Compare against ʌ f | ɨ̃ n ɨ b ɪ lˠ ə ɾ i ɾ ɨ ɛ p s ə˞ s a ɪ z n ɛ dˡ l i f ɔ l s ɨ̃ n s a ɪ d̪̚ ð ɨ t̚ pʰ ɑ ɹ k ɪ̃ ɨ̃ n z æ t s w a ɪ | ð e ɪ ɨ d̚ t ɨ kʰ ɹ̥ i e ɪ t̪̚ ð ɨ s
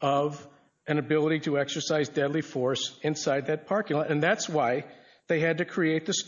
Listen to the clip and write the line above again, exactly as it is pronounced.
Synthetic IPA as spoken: ʌ v | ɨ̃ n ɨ b ɪ lˠ ə ɾ i ɾ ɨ ɛ k s ə˞ s a ɪ z d ɛ dˡ l i f ɔ ɹ s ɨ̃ n s a ɪ d̪̚ ð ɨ t̚ pʰ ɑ ɹ k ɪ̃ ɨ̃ n ð æ t s w a ɪ | ð e ɪ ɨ d̚ t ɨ kʰ ɹ̥ i e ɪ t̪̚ ð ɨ s

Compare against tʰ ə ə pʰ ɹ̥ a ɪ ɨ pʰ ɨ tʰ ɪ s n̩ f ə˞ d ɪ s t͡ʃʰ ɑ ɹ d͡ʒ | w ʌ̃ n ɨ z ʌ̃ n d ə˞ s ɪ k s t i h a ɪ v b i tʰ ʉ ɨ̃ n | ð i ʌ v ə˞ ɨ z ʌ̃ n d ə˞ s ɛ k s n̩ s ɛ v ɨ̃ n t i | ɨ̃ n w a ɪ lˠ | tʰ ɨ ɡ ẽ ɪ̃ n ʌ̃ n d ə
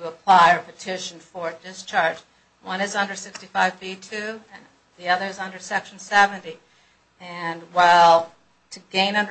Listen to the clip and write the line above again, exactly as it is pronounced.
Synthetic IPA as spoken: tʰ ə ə pʰ l̥ a ɪ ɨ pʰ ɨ tʰ ɪ ʃ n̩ f ə˞ d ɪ s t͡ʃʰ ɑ ɹ d͡ʒ | w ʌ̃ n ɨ z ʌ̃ n d ə˞ s ɪ k s t i f a ɪ v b i tʰ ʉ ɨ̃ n | ð i ʌ ð ə˞ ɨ z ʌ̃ n d ə˞ s ɛ k ʃ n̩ s ɛ v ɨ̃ n t i | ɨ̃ n w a ɪ lˠ | tʰ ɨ ɡ ẽ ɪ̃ n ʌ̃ n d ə

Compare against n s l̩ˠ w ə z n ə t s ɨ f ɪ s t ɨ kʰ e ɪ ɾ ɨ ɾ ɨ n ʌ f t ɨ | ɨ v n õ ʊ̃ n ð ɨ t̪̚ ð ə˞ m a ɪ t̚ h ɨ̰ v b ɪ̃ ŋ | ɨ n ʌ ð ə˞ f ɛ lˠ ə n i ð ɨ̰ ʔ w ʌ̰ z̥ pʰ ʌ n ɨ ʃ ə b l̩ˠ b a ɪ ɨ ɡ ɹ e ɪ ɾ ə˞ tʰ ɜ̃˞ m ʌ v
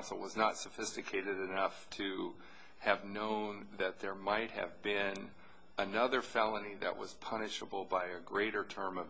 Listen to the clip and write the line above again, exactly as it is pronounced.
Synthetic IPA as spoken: n s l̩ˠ w ʌ z n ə t s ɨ f ɪ s t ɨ kʰ e ɪ ɾ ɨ ɾ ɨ n ʌ f tʰ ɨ | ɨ v n õ ʊ̃ n ð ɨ t̪̚ ð ə˞ m a ɪ t̚ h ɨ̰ v b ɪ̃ n | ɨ n ʌ ð ə˞ f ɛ lˠ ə n i ð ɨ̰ ʔ w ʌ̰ z̥ pʰ ʌ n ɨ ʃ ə b l̩ˠ b a ɪ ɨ ɡ ɹ e ɪ ɾ ə˞ tʰ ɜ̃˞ m ʌ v

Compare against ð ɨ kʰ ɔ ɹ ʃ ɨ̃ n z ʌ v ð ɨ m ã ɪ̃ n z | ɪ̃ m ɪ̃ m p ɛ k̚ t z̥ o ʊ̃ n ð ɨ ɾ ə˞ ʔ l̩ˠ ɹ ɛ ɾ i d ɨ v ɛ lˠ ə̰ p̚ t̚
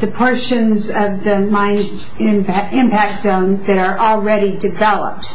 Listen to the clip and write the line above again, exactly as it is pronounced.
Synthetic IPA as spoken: ð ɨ pʰ ɔ ɹ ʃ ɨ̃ n z ʌ v ð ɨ m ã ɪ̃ n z | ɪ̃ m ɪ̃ m p æ k̚ t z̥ õ ʊ̃ n ð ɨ ɾ ə˞ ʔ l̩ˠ ɹ ɛ ɾ i d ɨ v ɛ lˠ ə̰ p̚ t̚

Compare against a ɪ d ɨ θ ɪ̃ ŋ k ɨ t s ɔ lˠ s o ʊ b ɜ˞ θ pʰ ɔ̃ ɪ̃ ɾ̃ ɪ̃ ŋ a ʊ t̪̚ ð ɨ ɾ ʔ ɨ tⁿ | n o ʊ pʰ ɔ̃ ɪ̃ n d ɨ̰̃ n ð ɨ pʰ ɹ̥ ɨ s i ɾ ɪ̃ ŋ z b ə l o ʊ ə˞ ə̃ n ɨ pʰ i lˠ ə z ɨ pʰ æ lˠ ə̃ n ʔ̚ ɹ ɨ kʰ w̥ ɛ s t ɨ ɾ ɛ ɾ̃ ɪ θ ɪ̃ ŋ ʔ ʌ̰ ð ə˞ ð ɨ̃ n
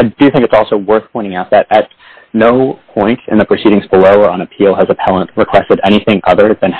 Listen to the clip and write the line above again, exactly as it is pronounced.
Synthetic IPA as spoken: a ɪ d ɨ θ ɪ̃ ŋ k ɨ t s ɔ lˠ s o ʊ w ɜ˞ θ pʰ ɔ̃ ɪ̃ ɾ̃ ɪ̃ ŋ a ʊ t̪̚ ð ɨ ɾ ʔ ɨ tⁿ | n o ʊ pʰ ɔ̃ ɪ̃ n t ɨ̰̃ n ð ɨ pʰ ɹ̥ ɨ s i ɾ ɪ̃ ŋ z b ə l o ʊ ə˞ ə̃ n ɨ pʰ i lˠ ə z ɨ pʰ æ lˠ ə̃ n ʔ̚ ɹ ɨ kʰ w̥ ɛ s t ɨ ɾ ɛ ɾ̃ i θ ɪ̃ ŋ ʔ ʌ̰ ð ə˞ ð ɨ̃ n

